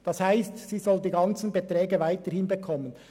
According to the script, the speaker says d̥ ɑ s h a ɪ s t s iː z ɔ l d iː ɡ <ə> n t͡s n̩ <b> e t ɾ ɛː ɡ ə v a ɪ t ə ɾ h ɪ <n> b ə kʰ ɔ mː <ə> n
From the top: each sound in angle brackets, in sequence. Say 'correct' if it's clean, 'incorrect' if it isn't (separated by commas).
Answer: incorrect, correct, correct, correct